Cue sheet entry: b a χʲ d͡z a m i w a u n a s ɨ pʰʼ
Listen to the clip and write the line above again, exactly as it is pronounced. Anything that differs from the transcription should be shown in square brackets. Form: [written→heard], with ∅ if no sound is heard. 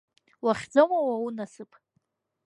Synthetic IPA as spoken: [b→w] a χʲ d͡z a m [i→a] w a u n a s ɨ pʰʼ